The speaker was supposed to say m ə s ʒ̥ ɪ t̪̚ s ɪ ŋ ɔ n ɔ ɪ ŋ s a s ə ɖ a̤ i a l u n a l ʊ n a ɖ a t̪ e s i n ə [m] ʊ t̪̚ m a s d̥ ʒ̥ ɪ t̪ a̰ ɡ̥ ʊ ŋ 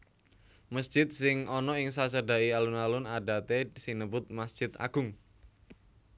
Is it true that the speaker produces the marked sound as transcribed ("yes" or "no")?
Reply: no